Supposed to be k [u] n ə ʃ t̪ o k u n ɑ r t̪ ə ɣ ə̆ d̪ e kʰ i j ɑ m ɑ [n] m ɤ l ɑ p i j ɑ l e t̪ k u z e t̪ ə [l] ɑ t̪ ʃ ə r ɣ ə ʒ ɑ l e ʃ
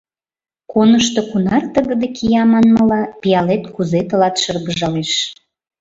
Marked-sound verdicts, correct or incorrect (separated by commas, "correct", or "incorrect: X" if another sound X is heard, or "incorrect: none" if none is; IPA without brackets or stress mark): incorrect: o, correct, correct